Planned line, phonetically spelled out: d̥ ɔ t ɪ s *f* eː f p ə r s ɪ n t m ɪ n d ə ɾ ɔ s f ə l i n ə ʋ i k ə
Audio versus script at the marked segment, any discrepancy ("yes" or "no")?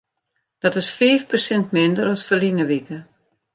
no